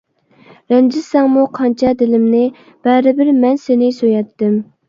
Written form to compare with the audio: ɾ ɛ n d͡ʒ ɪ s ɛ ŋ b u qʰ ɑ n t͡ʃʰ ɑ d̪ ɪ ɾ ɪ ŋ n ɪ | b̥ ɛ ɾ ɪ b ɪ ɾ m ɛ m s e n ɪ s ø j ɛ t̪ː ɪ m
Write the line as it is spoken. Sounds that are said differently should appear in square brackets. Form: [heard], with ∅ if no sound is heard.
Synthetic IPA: ɾ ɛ n d͡ʒ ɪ s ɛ ŋ [m] u qʰ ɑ n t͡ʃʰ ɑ d̪ ɪ [l] ɪ [m] n ɪ | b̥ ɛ ɾ ɪ b ɪ ɾ m ɛ [n] s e n ɪ s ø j ɛ t̪ː ɪ m